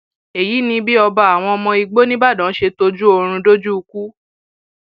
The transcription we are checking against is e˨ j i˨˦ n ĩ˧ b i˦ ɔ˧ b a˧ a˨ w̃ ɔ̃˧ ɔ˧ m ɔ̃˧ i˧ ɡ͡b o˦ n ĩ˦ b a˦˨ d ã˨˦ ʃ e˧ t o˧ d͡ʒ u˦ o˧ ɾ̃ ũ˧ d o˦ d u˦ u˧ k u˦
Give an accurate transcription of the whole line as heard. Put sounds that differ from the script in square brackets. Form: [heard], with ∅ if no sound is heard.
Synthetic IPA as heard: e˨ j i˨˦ n ĩ˧ b i˦ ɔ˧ b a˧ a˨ w̃ ɔ̃˧ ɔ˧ m ɔ̃˧ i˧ ɡ͡b o˦ n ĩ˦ b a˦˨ d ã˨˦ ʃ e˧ t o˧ d͡ʒ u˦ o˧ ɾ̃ ũ˧ d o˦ [d͡ʒ] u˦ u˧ k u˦